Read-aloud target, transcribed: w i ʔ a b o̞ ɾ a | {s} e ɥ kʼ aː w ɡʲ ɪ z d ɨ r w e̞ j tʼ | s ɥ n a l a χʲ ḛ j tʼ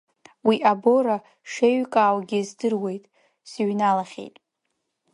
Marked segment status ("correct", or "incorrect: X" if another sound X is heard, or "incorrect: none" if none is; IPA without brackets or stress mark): incorrect: ʂ